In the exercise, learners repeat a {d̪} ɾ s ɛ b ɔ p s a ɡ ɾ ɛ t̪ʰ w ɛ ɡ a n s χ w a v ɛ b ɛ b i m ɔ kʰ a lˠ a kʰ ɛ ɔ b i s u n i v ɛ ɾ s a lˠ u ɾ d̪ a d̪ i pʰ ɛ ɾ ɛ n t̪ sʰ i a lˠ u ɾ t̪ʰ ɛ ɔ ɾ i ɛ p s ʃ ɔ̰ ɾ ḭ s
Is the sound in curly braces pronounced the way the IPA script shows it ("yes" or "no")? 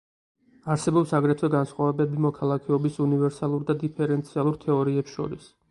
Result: no